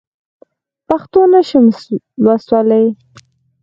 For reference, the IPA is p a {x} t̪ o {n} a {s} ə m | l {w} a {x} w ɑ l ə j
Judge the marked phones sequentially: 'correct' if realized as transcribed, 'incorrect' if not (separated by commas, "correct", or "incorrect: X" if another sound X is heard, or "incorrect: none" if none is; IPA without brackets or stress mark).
correct, correct, incorrect: ʃ, correct, incorrect: s